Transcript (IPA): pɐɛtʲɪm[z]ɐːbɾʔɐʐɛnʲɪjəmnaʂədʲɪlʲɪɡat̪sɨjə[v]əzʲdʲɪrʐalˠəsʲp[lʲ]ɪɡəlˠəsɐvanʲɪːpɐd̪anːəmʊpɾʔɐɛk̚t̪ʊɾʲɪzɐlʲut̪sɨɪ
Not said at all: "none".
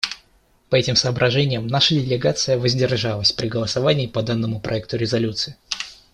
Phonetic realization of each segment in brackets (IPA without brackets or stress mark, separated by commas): s, v, ɾʲ